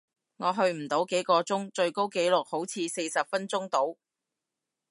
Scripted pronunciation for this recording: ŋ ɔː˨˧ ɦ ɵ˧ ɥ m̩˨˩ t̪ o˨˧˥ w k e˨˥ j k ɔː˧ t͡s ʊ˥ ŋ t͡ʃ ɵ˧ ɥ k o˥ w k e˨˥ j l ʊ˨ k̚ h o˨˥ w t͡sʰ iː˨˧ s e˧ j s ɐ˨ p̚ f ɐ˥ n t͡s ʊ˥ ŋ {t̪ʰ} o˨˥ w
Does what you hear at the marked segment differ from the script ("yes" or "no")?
yes